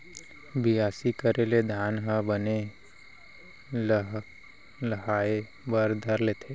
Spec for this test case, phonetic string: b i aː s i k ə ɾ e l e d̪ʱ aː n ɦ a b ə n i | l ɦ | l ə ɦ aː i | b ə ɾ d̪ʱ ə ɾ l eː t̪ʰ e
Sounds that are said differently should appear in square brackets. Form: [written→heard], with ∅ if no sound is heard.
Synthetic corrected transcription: b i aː s i k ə ɾ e l e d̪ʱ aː n ɦ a b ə n [i→e] | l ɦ | l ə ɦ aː [i→e] | b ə ɾ d̪ʱ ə ɾ l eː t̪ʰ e

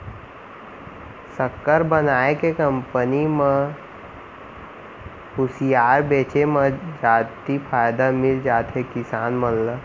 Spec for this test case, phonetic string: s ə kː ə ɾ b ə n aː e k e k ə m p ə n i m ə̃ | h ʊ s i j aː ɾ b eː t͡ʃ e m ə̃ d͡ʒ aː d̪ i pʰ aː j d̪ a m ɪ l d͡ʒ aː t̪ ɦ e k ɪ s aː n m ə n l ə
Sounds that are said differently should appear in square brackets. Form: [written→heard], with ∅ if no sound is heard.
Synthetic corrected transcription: s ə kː ə ɾ b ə n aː e k e k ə m p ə n i m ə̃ | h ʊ s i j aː ɾ b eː t͡ʃ e m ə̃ d͡ʒ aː [d̪→t̪] i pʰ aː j d̪ a m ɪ l d͡ʒ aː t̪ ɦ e k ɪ s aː n m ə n l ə

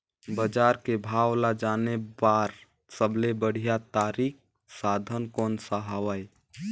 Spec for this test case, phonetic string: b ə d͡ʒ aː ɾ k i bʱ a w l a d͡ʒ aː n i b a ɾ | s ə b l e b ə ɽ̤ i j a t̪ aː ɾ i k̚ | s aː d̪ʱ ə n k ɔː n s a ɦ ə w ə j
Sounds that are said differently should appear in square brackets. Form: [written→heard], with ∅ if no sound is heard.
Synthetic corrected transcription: b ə d͡ʒ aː ɾ k [i→e] bʱ a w l a d͡ʒ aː n [i→e] b a ɾ | s ə b l e b ə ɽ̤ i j a t̪ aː ɾ i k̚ | s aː d̪ʱ ə n k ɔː n s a ɦ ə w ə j

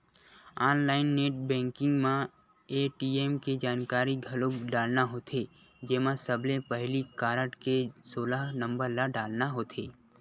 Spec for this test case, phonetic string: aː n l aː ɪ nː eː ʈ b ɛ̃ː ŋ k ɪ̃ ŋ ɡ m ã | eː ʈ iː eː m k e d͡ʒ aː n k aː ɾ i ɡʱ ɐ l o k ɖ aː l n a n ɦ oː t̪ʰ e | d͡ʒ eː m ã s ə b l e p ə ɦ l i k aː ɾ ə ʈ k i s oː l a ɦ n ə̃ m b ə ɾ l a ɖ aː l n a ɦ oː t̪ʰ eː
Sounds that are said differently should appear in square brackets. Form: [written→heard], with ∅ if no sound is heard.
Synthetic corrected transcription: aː n l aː ɪ nː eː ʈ b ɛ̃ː ŋ k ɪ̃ ŋ ɡ m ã | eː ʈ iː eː m k e d͡ʒ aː n k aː ɾ i ɡʱ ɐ l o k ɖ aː l n a [n→∅] ɦ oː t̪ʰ e | d͡ʒ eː m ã s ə b l e p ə ɦ l i k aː ɾ ə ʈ k [i→e] s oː l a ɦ n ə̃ m b ə ɾ l a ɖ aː l n a ɦ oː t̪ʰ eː

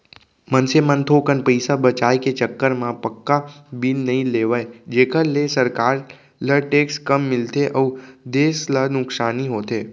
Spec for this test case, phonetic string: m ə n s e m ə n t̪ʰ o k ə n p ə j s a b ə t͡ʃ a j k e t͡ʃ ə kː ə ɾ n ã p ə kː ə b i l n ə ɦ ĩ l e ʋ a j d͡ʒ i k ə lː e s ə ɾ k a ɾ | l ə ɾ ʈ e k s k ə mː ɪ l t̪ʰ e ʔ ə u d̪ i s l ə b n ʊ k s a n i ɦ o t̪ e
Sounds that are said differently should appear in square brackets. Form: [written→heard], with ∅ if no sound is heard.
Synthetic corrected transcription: m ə n s e m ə n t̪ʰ o k ə n p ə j s a b ə t͡ʃ a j k e t͡ʃ ə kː ə ɾ [n→m] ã p ə kː [ə→a] b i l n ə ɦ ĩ l e ʋ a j d͡ʒ [i→e] k ə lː e s ə ɾ k a ɾ | l ə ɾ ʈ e k s k ə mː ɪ l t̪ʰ e ʔ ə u d̪ [i→e] s l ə [b→∅] n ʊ k s a n i ɦ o t̪ e

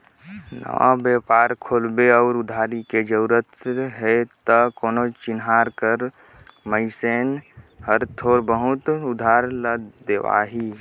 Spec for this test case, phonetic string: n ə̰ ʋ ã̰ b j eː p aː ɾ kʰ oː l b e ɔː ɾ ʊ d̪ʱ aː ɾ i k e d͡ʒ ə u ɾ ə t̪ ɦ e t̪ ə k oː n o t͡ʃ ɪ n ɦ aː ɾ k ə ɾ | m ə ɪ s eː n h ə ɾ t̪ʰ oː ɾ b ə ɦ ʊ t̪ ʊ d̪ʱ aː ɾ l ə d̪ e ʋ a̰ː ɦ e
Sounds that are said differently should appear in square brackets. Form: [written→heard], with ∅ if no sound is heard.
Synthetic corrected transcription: n ə̰ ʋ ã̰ b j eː p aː ɾ kʰ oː l b e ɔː ɾ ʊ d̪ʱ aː ɾ i k e d͡ʒ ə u ɾ ə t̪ ɦ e t̪ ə k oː n o t͡ʃ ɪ n ɦ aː ɾ k ə ɾ | m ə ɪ s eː n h ə ɾ t̪ʰ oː ɾ b ə ɦ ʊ t̪ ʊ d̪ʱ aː ɾ l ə d̪ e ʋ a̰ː ɦ [e→i]

